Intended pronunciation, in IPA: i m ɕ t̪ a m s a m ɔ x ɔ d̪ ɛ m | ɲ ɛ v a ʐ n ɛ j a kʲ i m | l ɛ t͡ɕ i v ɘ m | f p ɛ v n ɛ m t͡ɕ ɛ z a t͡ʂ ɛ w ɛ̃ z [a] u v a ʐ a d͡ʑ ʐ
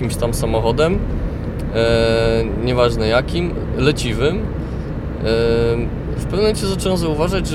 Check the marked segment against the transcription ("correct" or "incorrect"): correct